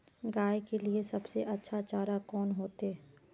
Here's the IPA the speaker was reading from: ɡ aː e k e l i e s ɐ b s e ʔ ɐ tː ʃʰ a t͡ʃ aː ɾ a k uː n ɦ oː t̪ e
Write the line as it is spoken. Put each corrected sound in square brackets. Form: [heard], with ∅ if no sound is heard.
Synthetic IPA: ɡ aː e k e l i e s ɐ b s e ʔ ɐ tː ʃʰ a t͡ʃ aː ɾ a k [ɔː] n ɦ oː t̪ e